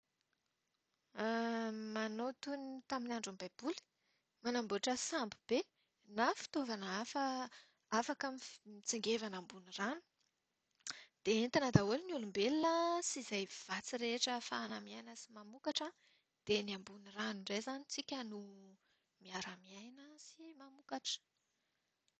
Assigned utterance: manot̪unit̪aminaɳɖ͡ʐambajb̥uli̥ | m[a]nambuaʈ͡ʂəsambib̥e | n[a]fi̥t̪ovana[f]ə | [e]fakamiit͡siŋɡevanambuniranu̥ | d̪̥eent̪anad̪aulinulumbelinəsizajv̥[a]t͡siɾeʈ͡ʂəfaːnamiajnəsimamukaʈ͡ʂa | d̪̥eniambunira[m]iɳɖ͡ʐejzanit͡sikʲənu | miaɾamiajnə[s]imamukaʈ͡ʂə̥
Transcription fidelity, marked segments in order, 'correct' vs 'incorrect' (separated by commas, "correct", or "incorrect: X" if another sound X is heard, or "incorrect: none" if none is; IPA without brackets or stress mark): correct, correct, correct, incorrect: a, correct, incorrect: n, correct